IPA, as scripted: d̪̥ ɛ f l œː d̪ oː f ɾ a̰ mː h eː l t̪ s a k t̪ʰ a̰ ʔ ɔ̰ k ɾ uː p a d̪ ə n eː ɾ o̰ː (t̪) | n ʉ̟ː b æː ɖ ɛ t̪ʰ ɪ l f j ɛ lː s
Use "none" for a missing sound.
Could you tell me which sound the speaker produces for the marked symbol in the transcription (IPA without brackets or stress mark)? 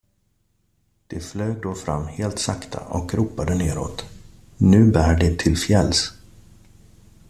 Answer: t̪